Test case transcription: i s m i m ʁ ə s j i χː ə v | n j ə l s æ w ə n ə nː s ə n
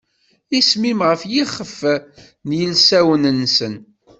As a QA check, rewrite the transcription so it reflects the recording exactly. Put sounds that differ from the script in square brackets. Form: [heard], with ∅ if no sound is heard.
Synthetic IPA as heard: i s m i m ʁ ə [f] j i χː ə [f] | n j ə l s æ w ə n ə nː s ə n